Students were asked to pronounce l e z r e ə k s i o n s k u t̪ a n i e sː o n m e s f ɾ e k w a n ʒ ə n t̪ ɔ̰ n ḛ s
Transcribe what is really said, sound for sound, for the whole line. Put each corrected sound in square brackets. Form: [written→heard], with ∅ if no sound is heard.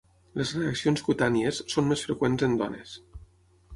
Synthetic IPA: l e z r e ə k s i o n s k u t̪ a n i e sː o n m e s f ɾ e k w [a→e] n [ʒ→z] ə n [t̪→d̪] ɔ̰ n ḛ s